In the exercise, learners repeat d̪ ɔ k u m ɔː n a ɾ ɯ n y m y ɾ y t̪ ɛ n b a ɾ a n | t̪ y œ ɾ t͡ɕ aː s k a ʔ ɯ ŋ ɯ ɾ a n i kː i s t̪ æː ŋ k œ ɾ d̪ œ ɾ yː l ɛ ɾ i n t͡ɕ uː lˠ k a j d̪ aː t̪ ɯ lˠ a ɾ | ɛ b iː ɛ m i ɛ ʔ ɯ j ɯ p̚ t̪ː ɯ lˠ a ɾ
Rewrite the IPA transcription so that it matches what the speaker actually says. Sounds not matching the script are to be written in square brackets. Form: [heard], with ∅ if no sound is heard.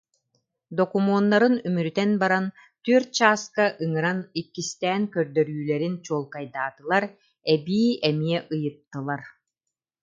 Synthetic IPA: d̪ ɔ k u m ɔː [nː] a ɾ ɯ n y m y ɾ y t̪ ɛ n b a ɾ a n | t̪ y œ ɾ t͡ɕ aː s k a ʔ ɯ ŋ ɯ ɾ a n i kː i s t̪ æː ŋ k œ ɾ d̪ œ ɾ yː l ɛ ɾ i n t͡ɕ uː lˠ k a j d̪ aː t̪ ɯ lˠ a ɾ | ɛ b iː ɛ m i ɛ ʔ ɯ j ɯ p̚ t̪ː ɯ lˠ a ɾ